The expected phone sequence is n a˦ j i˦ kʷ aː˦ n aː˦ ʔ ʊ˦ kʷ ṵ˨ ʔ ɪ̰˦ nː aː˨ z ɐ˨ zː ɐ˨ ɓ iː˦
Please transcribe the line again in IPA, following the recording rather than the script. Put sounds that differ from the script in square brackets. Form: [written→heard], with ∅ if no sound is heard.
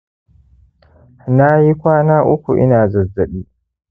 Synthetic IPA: n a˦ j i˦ kʷ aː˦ n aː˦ ʔ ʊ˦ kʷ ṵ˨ ʔ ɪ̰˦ [nː→n] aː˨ z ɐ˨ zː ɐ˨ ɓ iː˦